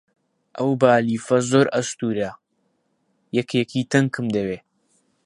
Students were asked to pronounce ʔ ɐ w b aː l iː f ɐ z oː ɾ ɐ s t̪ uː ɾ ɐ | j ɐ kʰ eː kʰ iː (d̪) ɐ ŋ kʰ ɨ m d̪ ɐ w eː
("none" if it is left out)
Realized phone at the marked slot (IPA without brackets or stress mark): t̪